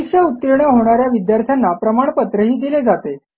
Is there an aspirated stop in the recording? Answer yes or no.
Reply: yes